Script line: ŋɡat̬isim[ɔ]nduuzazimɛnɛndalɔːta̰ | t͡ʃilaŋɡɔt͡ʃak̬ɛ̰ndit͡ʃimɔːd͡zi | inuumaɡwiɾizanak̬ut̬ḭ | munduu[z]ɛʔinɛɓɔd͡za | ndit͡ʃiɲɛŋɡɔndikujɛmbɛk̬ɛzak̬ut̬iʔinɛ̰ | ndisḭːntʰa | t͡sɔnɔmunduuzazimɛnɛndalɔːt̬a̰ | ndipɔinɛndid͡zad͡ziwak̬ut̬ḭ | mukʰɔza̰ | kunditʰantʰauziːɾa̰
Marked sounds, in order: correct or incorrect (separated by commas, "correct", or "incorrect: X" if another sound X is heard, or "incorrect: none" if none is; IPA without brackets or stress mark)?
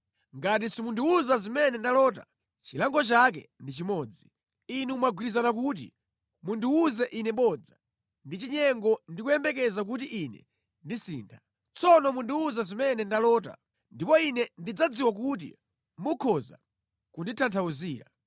incorrect: u, correct